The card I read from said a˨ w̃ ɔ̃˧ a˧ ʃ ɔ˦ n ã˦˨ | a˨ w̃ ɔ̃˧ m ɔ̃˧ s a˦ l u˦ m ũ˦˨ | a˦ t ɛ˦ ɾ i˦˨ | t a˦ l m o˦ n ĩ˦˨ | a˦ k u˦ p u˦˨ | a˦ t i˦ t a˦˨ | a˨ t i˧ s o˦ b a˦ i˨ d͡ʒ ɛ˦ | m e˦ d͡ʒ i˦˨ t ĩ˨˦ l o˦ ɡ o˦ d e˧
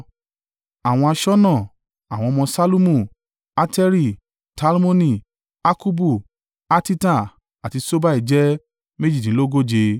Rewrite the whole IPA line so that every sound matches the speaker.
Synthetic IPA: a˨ w̃ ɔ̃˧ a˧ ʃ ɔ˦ n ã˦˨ | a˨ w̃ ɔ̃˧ m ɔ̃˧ s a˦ l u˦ m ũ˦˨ | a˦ t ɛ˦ ɾ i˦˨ | t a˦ l m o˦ n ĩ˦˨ | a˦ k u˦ b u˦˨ | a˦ t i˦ t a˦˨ | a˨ t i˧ s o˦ b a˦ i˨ d͡ʒ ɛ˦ | m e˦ d͡ʒ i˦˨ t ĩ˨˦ l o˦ ɡ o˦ d͡ʒ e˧